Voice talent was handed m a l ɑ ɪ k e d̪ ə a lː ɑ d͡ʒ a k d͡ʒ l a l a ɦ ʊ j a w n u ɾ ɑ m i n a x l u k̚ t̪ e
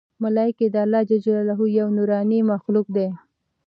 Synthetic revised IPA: m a l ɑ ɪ k e d̪ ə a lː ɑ d͡ʒ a d͡ʒ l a l a ɦ u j a w n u ɾ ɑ n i m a x l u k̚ d̪ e